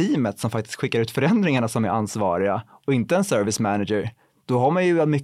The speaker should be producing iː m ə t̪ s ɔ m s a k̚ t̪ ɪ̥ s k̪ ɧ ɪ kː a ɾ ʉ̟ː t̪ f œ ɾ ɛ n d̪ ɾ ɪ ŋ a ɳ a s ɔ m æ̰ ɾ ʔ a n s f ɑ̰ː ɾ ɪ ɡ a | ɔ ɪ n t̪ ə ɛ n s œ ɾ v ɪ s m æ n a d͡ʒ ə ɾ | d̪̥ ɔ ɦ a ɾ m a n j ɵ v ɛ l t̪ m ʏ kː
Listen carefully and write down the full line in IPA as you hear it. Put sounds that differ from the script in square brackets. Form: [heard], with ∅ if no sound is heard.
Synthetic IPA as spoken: iː m ə t̪ s ɔ m [f] a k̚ t̪ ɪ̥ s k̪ ɧ ɪ kː a ɾ ʉ̟ː t̪ f œ ɾ ɛ n d̪ ɾ ɪ ŋ a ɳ a s ɔ m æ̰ ɾ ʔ a n s [v] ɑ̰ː ɾ ɪ ɡ a | ɔ ɪ n t̪ ə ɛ n s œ ɾ v ɪ s m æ n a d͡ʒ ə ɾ | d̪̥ ɔ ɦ a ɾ m a n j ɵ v ɛ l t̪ m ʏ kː